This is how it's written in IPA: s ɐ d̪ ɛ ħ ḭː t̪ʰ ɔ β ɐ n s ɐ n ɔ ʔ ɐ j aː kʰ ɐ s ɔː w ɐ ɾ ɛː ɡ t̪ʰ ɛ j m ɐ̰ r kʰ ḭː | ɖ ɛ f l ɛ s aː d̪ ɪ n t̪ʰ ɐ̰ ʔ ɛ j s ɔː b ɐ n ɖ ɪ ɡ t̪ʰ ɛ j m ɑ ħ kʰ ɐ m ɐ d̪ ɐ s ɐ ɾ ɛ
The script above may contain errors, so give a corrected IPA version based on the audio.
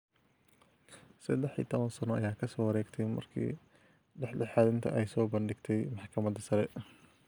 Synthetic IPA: s ɐ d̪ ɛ ħ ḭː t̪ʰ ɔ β ɐ n s ɐ n ɔ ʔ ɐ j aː kʰ ɐ s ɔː w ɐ ɾ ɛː ɡ t̪ʰ ɛ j m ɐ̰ r kʰ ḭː | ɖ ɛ ħ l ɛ ħ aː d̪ ɪ n t̪ʰ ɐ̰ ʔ ɛ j s ɔː b ɐ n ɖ ɪ ɡ t̪ʰ ɛ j m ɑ ħ kʰ ɐ m ɐ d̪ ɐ s ɐ ɾ ɛ